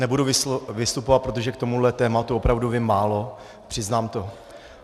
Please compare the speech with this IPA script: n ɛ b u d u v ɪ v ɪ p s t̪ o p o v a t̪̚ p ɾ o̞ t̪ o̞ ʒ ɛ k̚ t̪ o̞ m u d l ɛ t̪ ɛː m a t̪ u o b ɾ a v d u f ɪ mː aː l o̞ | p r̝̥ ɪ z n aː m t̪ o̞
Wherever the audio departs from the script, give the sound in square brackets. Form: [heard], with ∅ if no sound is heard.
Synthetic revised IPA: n ɛ b u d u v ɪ v ɪ [∅] s t̪ [u] p o v a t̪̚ p ɾ o̞ t̪ o̞ ʒ ɛ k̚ t̪ o̞ m u d l ɛ t̪ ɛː m a t̪ u o [p] ɾ a v d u [v] ɪ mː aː l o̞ | p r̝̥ ɪ z n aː m t̪ o̞